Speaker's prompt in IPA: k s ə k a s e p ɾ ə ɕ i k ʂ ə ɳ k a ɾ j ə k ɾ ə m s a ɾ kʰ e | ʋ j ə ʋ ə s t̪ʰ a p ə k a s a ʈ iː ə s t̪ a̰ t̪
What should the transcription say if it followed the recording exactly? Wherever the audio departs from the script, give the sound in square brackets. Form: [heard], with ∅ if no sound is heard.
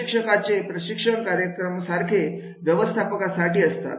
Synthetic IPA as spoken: k [ʂ] ə k a [t͡s] e p ɾ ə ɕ i k ʂ ə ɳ k a ɾ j ə k ɾ ə m s a ɾ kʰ e | ʋ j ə ʋ ə s t̪ʰ a p ə k a s a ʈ iː ə s t̪ a̰ t̪